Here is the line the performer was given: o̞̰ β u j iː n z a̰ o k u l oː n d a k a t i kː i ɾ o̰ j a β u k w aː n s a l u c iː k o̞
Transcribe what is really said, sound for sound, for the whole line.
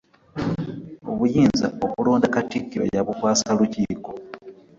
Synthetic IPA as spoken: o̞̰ β u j iː n z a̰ o k u l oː n d a k a t i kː i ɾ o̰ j a β u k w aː s a l u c iː k o̞